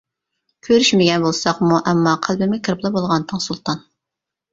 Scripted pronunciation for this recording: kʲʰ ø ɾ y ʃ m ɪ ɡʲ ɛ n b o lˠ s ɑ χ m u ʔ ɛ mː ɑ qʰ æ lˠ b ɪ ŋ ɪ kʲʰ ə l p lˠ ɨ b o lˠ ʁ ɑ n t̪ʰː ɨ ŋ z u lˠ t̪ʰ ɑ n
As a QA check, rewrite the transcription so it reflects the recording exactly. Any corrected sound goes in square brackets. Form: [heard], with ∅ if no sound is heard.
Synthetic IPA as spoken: kʲʰ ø ɾ y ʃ m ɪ ɡʲ ɛ n b o lˠ s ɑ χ m u ʔ ɛ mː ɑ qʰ æ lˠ b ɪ [m] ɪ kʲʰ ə [ɾ] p lˠ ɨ b o lˠ ʁ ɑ n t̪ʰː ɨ ŋ [s] u lˠ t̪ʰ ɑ n